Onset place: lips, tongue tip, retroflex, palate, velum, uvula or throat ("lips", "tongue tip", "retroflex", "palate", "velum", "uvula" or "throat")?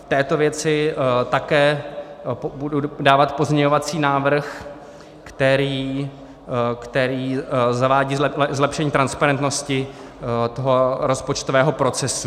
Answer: lips